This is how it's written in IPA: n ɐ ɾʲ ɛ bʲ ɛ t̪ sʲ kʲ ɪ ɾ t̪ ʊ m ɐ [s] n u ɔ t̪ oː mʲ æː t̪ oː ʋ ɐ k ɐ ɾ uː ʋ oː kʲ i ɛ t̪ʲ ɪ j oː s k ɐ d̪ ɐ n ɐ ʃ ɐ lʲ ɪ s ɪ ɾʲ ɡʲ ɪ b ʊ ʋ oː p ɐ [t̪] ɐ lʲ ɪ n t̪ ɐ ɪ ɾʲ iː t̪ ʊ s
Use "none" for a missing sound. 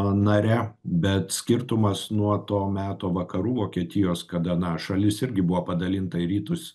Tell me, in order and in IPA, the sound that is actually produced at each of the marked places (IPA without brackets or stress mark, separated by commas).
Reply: s, d̪